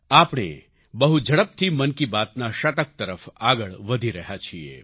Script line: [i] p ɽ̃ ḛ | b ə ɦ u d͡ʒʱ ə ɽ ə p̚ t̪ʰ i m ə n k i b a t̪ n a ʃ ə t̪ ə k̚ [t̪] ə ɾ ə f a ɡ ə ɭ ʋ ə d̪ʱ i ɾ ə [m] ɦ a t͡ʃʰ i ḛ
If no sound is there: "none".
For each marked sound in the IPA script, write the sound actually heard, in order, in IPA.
a, t̪, none

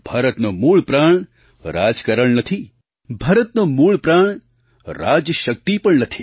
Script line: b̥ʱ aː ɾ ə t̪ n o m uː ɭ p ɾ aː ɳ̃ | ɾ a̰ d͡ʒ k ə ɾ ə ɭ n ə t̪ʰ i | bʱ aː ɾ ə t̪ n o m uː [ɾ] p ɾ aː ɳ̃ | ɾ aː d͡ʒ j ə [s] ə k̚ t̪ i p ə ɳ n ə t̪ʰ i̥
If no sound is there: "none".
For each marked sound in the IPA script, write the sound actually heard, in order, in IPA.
ɭ, ʃ

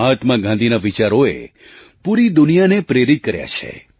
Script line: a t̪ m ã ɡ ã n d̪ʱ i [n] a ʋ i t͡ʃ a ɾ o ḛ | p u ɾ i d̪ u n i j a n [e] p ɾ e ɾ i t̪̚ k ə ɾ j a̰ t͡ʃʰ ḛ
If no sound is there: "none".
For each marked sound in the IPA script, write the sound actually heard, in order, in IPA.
n, e

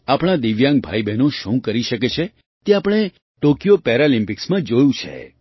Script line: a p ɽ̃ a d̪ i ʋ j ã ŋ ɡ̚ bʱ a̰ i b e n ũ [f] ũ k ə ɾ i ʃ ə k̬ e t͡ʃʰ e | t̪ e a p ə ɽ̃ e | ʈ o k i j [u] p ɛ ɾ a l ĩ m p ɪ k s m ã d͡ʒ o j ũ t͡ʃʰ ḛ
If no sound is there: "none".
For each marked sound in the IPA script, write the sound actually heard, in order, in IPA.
ʃ, o

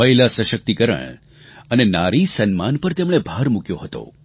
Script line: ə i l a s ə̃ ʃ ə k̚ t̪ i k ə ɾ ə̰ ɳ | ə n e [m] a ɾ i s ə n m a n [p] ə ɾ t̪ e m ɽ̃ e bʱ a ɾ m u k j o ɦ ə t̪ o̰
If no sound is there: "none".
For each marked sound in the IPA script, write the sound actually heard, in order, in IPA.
n, p

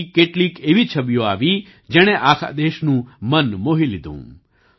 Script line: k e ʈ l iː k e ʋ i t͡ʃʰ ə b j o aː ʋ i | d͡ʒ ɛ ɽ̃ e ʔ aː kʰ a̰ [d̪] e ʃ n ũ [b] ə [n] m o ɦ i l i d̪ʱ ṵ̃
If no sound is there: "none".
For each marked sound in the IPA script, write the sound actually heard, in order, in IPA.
d̪, m, n

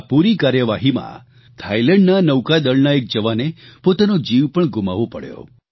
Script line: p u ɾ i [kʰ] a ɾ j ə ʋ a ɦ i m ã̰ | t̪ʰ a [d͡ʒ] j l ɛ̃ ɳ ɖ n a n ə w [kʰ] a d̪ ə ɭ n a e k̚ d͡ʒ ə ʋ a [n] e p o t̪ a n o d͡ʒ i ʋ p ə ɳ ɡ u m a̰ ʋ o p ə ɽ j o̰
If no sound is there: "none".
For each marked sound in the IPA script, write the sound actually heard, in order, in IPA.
k, none, k, n

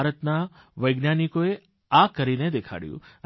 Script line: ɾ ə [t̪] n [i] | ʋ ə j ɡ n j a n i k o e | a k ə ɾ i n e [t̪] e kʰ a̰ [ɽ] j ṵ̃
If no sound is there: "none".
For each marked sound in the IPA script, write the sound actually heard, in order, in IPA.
t̪, a, d̪, ɽ

